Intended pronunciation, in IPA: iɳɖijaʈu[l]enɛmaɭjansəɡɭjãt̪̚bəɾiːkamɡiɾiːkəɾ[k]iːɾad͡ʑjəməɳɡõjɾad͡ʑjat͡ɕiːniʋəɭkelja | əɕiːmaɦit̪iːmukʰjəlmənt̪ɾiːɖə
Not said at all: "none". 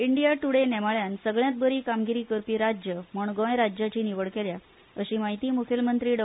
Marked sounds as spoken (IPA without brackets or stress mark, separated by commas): ɽ, p